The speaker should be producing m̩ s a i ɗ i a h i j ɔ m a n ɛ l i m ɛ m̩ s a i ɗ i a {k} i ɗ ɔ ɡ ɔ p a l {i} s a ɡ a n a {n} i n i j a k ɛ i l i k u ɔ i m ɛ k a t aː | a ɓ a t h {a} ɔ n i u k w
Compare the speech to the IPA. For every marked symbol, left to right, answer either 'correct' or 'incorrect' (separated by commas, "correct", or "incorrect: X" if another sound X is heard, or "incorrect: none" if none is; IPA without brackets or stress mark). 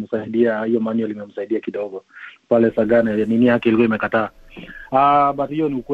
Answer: correct, incorrect: ɛ, correct, incorrect: i